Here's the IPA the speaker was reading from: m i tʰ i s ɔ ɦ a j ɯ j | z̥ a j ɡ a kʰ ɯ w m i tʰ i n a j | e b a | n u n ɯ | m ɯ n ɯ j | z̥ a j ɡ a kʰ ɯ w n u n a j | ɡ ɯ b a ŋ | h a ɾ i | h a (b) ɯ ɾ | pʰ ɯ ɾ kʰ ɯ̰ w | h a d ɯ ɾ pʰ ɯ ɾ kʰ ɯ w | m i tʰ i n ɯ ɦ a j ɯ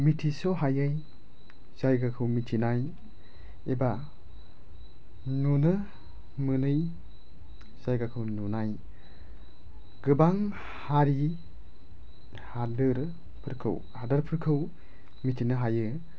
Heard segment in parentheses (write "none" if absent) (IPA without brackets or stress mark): d